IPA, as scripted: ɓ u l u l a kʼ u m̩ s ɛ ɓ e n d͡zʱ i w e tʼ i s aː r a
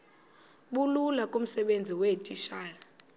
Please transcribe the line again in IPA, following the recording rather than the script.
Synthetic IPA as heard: ɓ u l u l a kʼ u m̩ s ɛ ɓ e n d͡zʱ i w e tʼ i ʃ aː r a